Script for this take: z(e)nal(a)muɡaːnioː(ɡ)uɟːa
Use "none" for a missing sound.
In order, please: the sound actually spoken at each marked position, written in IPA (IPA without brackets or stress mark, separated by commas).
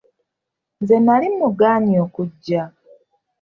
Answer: e, i, k